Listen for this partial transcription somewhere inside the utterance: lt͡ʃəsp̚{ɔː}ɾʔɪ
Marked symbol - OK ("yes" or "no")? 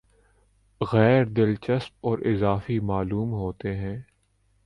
yes